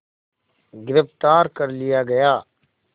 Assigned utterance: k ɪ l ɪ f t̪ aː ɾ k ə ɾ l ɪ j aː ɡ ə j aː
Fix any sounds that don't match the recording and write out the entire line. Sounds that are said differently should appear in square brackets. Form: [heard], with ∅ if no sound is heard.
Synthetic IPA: [ɡ] ɪ [ɾ] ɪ f t̪ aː ɾ k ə ɾ l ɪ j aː ɡ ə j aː